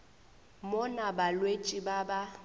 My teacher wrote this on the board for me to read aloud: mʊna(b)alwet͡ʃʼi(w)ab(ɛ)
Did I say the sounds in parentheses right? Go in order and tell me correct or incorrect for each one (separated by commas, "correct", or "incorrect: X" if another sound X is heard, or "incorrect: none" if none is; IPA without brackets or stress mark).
correct, incorrect: b, incorrect: a